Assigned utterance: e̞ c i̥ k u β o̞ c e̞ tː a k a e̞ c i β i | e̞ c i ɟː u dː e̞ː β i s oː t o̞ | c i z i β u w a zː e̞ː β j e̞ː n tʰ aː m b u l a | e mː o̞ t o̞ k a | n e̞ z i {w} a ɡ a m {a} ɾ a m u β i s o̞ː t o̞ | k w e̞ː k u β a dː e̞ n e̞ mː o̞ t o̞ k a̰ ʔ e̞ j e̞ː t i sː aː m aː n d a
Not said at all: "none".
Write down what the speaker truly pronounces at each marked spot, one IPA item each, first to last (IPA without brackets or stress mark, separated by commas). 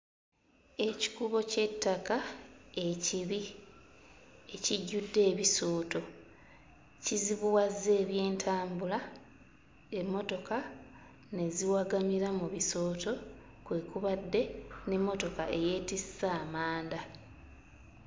w, i